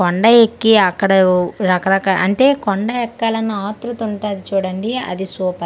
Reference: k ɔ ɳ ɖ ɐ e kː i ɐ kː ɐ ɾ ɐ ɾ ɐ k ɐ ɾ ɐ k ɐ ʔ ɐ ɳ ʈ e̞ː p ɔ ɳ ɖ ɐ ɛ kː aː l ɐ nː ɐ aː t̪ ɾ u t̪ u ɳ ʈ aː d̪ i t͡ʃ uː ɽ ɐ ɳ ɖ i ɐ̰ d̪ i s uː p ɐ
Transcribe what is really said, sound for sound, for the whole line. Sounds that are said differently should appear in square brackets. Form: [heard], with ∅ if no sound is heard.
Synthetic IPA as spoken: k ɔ ɳ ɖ ɐ e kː i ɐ kː ɐ [ɽ] ɐ ɾ ɐ k ɐ ɾ ɐ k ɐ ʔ ɐ ɳ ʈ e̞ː [k] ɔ ɳ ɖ ɐ ɛ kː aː l ɐ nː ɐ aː t̪ ɾ u t̪ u ɳ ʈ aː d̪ i t͡ʃ uː ɽ ɐ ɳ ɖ i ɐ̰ d̪ i s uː p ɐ